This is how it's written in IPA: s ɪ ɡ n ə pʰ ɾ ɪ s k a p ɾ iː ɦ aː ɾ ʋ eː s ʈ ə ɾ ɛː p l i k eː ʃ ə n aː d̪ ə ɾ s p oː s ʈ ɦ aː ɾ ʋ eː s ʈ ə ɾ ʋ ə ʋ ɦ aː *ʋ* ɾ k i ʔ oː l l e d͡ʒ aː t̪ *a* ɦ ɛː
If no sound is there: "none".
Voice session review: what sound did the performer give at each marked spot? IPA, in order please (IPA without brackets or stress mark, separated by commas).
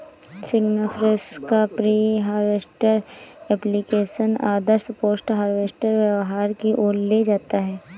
none, a